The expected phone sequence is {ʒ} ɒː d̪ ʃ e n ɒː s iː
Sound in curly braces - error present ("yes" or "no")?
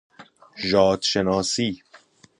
no